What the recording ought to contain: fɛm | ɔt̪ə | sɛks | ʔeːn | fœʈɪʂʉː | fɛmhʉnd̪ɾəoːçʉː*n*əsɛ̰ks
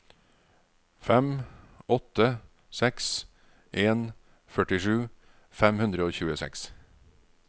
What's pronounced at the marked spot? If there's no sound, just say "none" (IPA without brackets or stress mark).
none